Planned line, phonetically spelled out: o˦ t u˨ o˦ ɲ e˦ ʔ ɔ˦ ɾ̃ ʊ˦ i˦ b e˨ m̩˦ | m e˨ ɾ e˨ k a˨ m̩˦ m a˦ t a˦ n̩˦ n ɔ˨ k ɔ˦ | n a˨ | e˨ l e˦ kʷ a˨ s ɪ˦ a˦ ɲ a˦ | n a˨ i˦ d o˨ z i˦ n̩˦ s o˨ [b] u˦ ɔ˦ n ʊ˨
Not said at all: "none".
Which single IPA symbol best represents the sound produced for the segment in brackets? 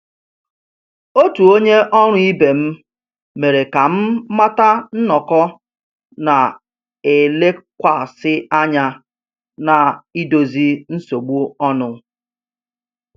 ɡ͡b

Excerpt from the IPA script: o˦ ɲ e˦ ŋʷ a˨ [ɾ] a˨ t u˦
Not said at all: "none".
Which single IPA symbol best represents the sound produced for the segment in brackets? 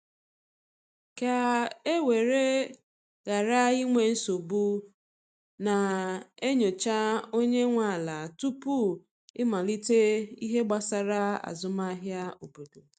l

